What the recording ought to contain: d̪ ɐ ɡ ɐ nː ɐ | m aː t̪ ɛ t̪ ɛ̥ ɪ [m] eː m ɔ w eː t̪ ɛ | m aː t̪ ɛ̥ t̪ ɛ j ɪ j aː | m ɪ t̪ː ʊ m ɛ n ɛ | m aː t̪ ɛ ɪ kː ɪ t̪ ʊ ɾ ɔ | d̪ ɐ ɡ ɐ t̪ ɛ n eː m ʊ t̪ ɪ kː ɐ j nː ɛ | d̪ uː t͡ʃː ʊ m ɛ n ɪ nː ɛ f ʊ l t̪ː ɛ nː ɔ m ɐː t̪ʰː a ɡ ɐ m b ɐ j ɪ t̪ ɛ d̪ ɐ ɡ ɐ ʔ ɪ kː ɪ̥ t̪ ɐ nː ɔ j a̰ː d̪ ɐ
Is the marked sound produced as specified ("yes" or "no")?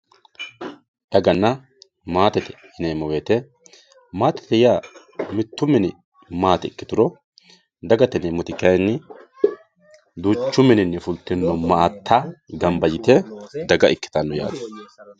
no